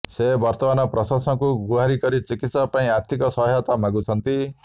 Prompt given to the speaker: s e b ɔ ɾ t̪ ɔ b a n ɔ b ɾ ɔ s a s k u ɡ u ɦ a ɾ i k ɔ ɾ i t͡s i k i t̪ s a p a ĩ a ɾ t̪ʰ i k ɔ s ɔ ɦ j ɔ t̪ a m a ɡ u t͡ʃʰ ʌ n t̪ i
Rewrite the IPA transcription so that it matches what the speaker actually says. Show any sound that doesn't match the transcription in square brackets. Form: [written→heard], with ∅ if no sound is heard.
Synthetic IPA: s e b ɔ ɾ t̪ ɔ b a n ɔ [b→p] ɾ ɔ s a s k u ɡ u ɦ a ɾ i k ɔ ɾ i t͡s i k i t̪ s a p a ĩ a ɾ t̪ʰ i k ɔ s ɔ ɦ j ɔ t̪ a m a ɡ u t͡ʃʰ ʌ n t̪ i

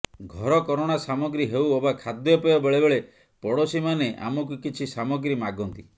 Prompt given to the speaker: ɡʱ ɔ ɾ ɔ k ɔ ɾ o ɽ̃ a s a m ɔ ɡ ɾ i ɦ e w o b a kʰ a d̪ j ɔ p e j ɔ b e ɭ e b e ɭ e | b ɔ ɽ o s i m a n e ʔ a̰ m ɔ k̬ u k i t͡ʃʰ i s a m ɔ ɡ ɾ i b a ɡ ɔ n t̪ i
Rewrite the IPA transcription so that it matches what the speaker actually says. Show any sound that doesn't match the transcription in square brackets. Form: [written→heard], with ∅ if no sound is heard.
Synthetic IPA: ɡʱ ɔ ɾ ɔ k ɔ ɾ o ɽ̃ a s a m ɔ ɡ ɾ i ɦ e w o b a kʰ a d̪ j ɔ p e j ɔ b e ɭ e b e ɭ e | [b→p] ɔ ɽ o s i m a n e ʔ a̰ m ɔ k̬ u k i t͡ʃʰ i s a m ɔ ɡ ɾ i [b→m] a ɡ ɔ n t̪ i

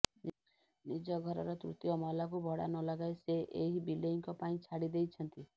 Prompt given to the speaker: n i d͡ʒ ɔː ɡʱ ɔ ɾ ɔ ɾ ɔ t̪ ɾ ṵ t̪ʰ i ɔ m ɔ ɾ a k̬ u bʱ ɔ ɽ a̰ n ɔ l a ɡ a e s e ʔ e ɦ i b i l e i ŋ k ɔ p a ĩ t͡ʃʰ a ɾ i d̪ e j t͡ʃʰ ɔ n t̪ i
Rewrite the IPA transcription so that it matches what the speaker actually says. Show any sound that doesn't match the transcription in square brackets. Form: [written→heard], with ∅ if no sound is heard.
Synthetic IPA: n i d͡ʒ [ɔː→ɔ] ɡʱ ɔ ɾ ɔ ɾ ɔ t̪ ɾ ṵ [t̪ʰ→t̪] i ɔ m ɔ [ɾ→l] a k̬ u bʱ ɔ ɽ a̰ n ɔ l a ɡ a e s e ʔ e ɦ i b i l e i ŋ k ɔ p a ĩ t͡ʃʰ a [ɾ→ɽ] i d̪ e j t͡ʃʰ ɔ n t̪ i

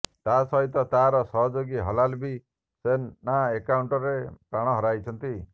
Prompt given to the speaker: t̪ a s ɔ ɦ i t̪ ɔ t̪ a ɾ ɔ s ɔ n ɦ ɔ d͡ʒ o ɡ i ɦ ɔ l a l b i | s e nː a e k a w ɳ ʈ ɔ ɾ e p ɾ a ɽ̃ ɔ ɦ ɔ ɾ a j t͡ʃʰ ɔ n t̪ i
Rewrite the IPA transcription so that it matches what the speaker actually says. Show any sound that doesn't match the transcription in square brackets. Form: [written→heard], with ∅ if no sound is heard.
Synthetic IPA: t̪ a s ɔ ɦ i t̪ ɔ t̪ a ɾ ɔ s ɔ [n→∅] ɦ ɔ d͡ʒ o ɡ i ɦ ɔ l a l b i | s e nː a e k a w ɳ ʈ ɔ ɾ e p ɾ a ɽ̃ ɔ ɦ ɔ ɾ a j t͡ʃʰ ɔ n t̪ i

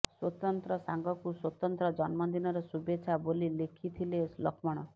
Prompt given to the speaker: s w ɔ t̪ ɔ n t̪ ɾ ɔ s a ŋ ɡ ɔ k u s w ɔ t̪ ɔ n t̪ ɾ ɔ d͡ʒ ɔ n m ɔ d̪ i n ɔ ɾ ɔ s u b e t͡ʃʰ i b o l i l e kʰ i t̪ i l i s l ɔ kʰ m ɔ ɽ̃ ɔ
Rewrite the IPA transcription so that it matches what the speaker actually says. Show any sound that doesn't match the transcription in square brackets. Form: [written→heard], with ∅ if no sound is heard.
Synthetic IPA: s w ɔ t̪ ɔ n t̪ ɾ ɔ s a ŋ ɡ ɔ k u s w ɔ t̪ ɔ n t̪ ɾ ɔ d͡ʒ ɔ n m ɔ d̪ i n ɔ ɾ ɔ s u b e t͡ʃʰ [i→a] b o l i l e kʰ i [t̪→t̪ʰ] i l [i→e] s l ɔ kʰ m ɔ ɽ̃ ɔ

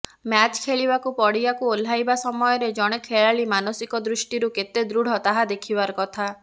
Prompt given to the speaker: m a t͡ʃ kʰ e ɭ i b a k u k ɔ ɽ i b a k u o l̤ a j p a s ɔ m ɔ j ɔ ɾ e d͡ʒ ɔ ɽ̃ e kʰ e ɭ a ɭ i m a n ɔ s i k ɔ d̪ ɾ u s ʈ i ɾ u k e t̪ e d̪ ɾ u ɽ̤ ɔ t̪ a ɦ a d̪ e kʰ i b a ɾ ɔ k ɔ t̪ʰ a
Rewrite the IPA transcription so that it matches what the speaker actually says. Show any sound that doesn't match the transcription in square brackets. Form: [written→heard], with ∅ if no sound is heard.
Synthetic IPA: m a t͡ʃ kʰ e ɭ i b a k u [k→p] ɔ ɽ i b a k u o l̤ a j [p→b] a s ɔ m ɔ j ɔ ɾ e d͡ʒ ɔ ɽ̃ e kʰ e ɭ a ɭ i m a n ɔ s i k ɔ d̪ ɾ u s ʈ i ɾ u k e t̪ e d̪ ɾ u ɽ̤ ɔ t̪ a ɦ a d̪ e kʰ i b a ɾ ɔ k ɔ t̪ʰ a

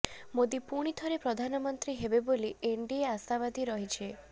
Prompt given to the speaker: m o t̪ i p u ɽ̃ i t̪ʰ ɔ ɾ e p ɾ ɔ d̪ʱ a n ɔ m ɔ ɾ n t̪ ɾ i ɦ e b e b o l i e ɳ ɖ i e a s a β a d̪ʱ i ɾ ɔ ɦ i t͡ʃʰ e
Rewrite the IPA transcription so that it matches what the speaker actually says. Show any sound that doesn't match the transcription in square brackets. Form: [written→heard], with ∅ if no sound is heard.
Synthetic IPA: m o [t̪→d̪] i p u ɽ̃ i t̪ʰ ɔ ɾ e p ɾ ɔ d̪ʱ a n ɔ m ɔ [ɾ→∅] n t̪ ɾ i ɦ e b e b o l i e ɳ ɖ i e a s a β a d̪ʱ i ɾ ɔ ɦ i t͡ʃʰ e

